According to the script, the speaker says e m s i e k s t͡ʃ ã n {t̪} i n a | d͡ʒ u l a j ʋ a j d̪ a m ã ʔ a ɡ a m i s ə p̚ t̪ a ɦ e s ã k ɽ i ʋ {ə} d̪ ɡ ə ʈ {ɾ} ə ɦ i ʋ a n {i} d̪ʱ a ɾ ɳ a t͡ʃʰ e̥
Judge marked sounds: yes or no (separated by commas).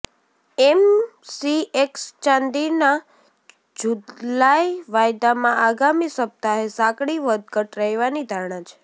no, yes, yes, yes